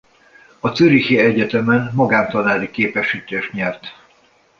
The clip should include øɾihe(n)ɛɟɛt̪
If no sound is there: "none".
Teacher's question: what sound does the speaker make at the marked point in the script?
none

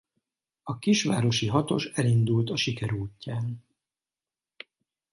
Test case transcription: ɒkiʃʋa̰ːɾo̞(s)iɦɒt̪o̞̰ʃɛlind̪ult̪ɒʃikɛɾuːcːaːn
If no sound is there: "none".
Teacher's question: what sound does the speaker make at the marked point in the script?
ʃ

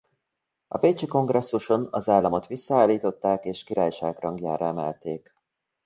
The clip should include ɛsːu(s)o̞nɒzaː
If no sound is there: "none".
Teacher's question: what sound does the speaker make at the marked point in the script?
ʃ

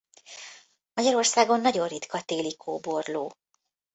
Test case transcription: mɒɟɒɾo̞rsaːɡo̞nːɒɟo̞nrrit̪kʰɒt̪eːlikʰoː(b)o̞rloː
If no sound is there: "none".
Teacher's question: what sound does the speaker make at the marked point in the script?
b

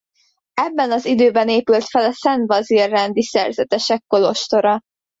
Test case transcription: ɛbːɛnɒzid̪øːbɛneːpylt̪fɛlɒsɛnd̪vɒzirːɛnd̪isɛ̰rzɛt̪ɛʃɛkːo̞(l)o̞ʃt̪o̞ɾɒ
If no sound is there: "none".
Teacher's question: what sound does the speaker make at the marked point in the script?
l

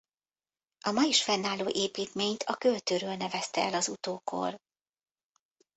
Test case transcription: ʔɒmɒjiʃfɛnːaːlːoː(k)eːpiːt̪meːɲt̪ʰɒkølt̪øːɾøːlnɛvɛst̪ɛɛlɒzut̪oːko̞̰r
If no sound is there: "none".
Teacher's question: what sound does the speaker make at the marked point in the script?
ʔ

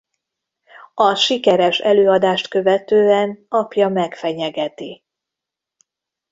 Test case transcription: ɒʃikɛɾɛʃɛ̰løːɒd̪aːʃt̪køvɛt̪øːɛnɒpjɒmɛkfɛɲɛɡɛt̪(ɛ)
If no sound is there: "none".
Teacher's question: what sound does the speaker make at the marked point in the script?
i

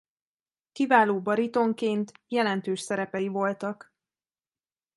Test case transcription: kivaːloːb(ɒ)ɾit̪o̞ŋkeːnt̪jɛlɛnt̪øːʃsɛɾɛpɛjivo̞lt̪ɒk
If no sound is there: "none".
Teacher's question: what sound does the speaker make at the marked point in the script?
ɒ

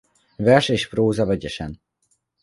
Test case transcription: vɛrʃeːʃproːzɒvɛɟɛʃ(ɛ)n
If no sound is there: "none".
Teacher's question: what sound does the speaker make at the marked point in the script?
ɛ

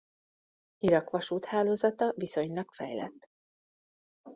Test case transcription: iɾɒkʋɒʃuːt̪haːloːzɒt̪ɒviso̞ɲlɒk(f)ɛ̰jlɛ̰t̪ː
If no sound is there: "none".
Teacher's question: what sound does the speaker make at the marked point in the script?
f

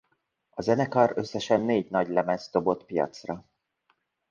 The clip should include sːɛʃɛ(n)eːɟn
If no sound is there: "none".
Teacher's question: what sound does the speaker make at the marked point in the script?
nː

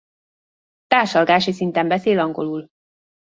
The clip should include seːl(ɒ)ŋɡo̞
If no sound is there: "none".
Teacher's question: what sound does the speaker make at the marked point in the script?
ɒ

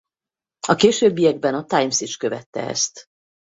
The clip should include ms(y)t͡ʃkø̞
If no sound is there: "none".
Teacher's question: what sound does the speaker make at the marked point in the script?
i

